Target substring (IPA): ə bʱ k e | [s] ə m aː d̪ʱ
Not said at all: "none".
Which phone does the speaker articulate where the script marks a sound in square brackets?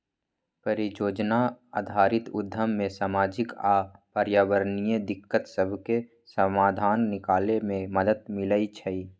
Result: s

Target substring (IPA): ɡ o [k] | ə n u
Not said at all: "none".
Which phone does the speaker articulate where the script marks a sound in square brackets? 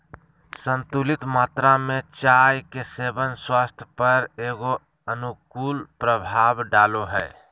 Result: none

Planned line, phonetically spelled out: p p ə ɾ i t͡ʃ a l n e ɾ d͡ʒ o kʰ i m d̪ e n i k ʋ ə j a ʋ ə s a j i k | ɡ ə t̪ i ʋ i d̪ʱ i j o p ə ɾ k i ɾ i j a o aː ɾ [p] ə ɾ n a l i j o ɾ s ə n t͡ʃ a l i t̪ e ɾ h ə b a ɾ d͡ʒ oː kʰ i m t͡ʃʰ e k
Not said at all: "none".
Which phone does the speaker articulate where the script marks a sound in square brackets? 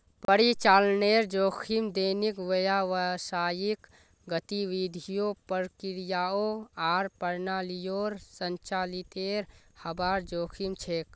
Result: p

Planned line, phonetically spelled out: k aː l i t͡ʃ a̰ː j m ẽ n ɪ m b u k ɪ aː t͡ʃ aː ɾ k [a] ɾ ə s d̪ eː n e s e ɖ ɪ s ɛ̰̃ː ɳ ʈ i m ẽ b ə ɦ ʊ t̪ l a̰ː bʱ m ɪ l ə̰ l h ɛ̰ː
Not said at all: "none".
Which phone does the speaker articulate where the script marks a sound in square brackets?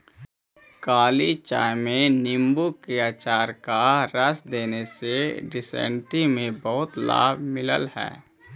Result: a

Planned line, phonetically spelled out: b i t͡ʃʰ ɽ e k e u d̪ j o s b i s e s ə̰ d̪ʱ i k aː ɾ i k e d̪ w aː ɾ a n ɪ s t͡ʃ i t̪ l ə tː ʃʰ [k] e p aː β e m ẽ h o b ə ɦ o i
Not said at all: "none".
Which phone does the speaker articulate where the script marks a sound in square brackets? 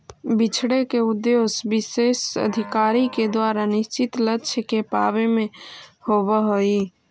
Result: k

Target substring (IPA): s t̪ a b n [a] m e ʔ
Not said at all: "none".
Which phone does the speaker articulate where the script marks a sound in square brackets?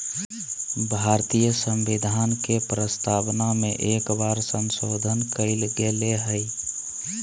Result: a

